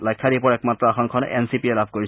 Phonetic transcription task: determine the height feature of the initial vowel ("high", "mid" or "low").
low